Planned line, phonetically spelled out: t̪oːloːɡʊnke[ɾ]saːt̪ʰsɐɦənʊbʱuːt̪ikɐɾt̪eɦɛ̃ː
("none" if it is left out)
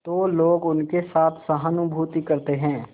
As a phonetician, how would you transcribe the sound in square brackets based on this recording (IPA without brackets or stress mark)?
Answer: none